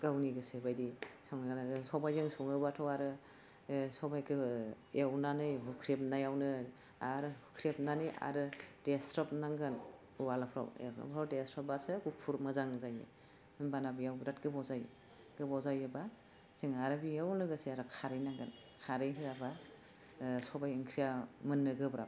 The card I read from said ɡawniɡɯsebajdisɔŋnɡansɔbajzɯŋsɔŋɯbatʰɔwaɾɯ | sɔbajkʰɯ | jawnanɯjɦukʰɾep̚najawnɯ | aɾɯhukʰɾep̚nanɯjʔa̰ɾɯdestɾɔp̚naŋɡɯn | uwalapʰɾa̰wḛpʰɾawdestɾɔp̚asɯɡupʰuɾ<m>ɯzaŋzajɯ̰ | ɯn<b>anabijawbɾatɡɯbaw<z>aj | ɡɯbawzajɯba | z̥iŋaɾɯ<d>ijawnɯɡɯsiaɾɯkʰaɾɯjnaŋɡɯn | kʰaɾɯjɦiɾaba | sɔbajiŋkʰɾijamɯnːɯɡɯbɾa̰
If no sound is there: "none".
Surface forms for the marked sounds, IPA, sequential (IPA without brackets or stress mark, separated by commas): m, b, z, b